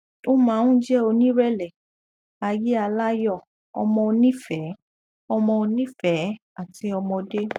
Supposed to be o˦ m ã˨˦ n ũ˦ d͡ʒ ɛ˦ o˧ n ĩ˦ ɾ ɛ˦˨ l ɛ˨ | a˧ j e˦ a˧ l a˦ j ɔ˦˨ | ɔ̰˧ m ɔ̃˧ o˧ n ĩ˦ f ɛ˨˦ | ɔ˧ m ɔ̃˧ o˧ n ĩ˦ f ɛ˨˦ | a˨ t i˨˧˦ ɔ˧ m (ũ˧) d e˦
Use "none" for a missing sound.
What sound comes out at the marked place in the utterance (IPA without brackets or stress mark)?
ɔ̃˧